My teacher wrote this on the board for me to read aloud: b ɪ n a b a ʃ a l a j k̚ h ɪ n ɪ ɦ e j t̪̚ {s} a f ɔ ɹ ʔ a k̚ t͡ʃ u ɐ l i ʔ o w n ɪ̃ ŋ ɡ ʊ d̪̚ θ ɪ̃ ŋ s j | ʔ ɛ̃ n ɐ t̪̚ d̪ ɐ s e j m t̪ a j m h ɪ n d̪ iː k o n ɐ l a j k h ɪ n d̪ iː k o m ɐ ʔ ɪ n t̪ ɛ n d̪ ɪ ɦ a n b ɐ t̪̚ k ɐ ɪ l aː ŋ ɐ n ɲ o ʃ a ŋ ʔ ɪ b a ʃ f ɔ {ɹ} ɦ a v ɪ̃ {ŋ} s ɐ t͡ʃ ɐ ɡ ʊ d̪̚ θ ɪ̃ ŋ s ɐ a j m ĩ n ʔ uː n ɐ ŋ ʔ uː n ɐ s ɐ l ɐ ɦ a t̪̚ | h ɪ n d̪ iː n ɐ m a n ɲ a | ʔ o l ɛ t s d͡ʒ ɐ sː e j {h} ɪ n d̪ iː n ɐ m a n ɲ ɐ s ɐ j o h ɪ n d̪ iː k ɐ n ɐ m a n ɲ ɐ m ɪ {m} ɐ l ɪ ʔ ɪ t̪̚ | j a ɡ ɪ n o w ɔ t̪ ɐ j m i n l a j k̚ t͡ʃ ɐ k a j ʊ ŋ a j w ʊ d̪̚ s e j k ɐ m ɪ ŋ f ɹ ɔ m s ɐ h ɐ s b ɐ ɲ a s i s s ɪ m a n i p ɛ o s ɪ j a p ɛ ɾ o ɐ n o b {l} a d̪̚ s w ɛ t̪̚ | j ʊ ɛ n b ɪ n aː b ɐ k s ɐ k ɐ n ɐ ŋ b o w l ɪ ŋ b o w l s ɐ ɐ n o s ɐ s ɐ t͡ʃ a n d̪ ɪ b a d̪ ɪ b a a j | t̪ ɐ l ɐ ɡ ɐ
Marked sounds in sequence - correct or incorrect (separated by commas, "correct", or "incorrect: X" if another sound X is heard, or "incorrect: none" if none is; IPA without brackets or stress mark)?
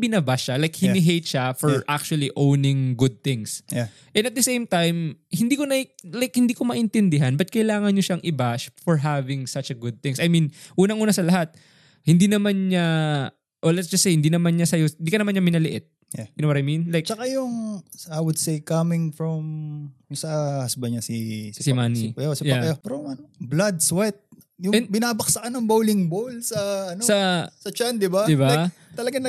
incorrect: ʃ, correct, correct, correct, incorrect: n, correct